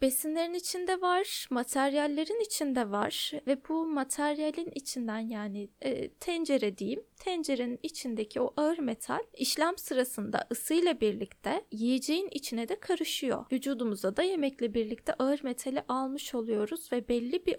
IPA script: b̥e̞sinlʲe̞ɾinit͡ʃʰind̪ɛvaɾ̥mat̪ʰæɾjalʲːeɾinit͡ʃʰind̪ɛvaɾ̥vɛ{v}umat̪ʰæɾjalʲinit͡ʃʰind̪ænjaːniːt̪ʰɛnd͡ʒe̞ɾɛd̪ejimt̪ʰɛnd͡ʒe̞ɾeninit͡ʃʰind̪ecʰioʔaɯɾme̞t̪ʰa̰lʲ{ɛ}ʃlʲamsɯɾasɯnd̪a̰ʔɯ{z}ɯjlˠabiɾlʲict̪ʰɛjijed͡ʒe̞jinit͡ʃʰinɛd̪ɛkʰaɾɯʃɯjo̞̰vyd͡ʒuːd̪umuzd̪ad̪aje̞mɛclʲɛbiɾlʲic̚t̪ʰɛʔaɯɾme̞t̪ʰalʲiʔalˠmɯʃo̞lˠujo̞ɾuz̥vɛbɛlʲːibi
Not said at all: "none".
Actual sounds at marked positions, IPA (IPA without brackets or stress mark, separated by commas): b, i, s